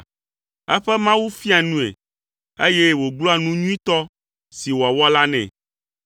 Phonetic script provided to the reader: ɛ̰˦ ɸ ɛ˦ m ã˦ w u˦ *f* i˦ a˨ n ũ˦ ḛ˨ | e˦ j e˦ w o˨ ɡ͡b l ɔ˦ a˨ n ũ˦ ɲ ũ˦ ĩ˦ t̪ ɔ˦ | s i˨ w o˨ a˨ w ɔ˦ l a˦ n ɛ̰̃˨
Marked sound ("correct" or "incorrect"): correct